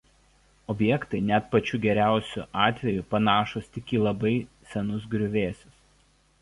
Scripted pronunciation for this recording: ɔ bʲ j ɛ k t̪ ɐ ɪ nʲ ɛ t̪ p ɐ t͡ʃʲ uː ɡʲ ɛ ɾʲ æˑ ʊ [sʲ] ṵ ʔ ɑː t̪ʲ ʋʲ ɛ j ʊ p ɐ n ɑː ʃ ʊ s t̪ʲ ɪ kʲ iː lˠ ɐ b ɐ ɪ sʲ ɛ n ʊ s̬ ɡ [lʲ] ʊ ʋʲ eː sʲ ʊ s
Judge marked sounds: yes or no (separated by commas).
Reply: yes, no